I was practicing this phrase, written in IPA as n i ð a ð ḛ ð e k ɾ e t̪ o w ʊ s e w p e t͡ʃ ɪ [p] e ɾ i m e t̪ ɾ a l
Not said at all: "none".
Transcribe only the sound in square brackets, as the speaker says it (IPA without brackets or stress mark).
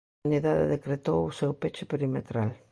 p